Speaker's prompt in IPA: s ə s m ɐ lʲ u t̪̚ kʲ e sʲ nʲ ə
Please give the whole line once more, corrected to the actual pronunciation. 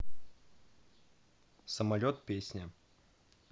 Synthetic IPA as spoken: s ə m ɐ lʲ o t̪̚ pʲ e sʲ nʲ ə